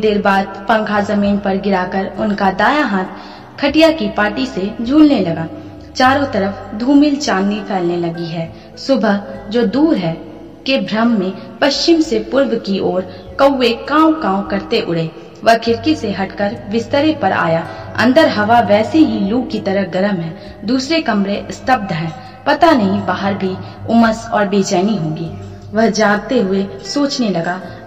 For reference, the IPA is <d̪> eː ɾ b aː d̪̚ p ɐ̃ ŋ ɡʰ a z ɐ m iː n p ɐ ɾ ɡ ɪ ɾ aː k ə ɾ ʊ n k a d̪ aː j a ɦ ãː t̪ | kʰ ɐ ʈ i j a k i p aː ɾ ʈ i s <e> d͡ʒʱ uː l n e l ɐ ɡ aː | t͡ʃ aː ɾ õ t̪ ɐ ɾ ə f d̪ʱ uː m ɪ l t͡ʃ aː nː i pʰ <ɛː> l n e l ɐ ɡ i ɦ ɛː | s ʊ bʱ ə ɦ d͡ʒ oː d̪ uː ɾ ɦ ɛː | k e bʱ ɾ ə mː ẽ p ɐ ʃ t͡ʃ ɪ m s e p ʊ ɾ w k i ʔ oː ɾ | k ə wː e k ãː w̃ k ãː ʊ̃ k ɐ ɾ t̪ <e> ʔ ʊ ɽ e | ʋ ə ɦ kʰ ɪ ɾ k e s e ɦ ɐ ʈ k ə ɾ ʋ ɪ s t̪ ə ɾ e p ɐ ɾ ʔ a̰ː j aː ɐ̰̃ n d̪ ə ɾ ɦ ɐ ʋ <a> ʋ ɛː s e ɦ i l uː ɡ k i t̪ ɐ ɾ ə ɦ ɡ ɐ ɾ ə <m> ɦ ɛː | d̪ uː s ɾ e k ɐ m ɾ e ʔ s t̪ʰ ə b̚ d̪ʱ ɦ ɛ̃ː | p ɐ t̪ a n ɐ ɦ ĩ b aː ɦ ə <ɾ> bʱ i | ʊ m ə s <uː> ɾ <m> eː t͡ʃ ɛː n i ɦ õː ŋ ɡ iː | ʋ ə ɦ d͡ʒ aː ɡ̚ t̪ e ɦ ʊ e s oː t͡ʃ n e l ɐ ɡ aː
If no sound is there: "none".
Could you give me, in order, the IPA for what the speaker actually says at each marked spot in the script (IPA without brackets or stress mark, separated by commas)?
d̪, e, ɛː, e, a, m, ɾ, ɔː, b